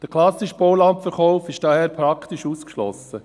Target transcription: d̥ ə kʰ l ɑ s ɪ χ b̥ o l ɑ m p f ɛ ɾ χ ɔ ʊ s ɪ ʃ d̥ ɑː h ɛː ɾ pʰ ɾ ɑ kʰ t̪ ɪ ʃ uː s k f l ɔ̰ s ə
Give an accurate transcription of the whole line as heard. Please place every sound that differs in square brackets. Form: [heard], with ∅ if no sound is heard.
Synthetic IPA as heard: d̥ ə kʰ l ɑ s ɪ [ʃ] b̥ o l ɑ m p f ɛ ɾ χ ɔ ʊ [f] ɪ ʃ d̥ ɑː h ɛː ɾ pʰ ɾ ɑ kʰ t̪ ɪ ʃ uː s k [ʃ] l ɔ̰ s ə